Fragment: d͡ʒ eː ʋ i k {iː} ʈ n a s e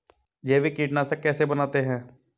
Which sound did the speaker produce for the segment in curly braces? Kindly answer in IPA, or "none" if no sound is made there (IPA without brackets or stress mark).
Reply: iː